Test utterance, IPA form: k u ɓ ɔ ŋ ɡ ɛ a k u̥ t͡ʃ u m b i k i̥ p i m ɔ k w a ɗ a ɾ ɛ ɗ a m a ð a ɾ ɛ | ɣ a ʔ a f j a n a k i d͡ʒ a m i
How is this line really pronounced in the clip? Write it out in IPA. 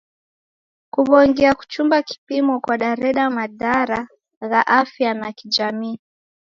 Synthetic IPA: k u ɓ ɔ ŋ ɡ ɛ a k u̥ t͡ʃ u m b a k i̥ p i m ɔ k w a ɗ a ɾ ɛ ɗ a m a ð a ɾ a | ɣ a ʔ a f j a n a k i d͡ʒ a m iː

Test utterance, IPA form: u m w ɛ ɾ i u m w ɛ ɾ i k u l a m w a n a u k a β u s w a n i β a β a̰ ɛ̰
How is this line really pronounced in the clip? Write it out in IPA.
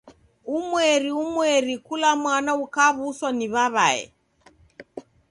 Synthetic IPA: u m w ɛ ɾ i u m w ɛ ɾ i k u l a m w a n a u k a β u s w a n i β a β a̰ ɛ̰

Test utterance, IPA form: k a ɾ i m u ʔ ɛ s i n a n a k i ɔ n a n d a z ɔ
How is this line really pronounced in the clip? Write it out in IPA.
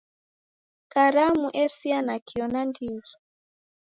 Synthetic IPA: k a ɾ a m u ʔ ɛ s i a n a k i ɔ n a n d i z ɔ

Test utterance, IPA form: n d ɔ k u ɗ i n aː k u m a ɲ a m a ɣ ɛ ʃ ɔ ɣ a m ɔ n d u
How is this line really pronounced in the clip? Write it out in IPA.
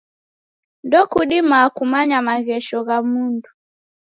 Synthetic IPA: n d ɔ k u ɗ i m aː k u m a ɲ a m a ɣ ɛ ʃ ɔ ɣ a m u n d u

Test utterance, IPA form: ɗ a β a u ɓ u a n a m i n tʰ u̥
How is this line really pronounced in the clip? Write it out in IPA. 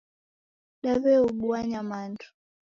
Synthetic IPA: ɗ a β ɛ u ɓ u a ɲ a m a n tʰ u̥

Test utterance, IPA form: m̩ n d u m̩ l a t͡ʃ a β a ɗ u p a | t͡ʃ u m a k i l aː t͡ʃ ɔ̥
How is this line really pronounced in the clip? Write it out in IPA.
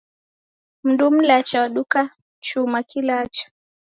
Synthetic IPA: m̩ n d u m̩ l a t͡ʃ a w a ɗ u k a | t͡ʃ u m a k i l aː t͡ʃ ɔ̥

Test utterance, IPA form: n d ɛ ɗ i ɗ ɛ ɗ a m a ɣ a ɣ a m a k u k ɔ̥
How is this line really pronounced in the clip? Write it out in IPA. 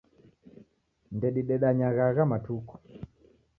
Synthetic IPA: n d ɛ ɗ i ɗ ɛ ɗ a ɲ a ɣ a ɣ a m a t u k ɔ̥

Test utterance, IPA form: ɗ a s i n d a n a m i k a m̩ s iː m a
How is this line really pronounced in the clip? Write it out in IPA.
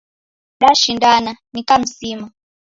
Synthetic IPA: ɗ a ʃ i n d a n a n i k a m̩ s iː m a

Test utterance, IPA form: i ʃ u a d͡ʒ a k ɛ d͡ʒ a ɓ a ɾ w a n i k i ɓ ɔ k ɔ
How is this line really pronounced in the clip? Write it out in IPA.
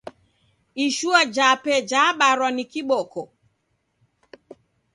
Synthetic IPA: i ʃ u a d͡ʒ a p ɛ d͡ʒ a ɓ a ɾ w a n i k i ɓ ɔ k ɔ

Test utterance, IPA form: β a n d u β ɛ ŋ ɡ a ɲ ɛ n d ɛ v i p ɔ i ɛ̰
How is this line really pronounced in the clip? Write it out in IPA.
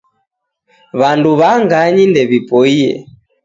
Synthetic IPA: β a n d u β a ŋ ɡ a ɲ i n d ɛ β i p ɔ i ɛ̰

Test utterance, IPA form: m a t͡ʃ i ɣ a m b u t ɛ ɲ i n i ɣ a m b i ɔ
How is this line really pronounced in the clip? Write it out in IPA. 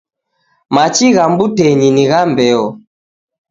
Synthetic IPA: m a t͡ʃ i ɣ a m b u t ɛ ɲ i n i ɣ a m b ɛ ɔ

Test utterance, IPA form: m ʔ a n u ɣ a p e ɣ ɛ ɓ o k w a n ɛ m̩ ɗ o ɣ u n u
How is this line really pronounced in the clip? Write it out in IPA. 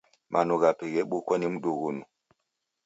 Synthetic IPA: m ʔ a n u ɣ a p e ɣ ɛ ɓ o k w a n i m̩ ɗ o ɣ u n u

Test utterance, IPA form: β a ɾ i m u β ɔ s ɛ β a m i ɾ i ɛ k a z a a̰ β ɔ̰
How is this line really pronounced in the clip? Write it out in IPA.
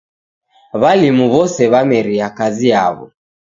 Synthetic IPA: β a l i m u β ɔ s ɛ β a m ɛ ɾ i a k a z i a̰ β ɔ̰

